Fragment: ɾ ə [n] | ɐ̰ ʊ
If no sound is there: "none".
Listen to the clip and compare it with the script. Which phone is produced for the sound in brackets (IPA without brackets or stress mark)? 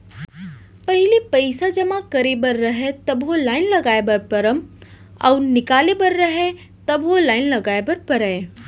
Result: m